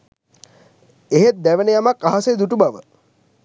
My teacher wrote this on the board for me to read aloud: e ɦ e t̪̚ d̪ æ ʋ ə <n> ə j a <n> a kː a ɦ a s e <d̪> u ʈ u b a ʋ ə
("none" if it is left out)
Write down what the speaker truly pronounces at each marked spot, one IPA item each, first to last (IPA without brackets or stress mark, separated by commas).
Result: n, m, d̪